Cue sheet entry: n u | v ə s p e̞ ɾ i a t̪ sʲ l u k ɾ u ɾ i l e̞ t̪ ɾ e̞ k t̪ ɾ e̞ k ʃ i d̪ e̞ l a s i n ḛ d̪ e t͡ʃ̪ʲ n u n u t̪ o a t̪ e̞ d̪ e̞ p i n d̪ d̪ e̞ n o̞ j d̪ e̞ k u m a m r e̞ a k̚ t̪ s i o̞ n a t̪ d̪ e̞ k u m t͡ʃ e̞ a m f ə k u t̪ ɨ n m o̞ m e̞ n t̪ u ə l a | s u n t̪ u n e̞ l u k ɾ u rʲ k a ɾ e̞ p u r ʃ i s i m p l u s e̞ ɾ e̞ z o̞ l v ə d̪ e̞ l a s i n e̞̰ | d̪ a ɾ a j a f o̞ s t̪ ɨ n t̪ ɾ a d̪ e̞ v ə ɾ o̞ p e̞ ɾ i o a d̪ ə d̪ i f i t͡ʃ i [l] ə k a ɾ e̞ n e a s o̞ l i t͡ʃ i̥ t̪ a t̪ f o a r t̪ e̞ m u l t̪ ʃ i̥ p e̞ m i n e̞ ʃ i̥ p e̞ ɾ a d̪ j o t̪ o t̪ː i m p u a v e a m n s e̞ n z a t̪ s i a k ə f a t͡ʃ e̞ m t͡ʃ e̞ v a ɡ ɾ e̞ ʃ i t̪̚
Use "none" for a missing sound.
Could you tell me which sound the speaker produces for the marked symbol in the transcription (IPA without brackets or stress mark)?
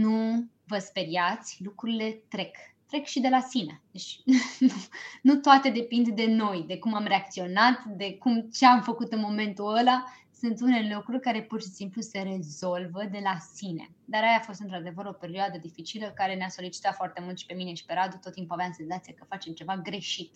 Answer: l